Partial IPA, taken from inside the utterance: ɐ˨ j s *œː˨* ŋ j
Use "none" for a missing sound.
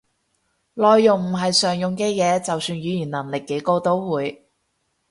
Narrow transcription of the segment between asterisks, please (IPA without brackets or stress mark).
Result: œː˨